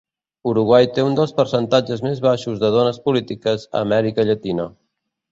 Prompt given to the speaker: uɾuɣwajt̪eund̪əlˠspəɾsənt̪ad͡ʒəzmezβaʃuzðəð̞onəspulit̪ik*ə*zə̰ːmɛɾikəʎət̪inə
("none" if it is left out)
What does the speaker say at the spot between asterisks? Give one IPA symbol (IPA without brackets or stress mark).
ə